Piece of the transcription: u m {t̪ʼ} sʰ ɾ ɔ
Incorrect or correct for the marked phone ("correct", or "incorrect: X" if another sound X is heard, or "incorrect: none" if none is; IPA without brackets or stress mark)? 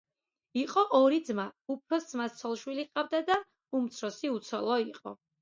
incorrect: t̪